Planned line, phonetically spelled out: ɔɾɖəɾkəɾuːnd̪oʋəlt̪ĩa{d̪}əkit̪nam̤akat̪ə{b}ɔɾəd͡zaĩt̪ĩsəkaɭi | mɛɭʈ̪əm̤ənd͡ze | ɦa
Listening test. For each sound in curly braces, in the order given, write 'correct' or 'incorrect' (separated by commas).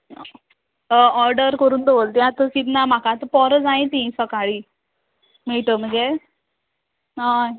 incorrect, incorrect